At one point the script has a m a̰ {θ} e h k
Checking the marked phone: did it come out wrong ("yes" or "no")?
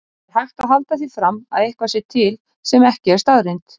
yes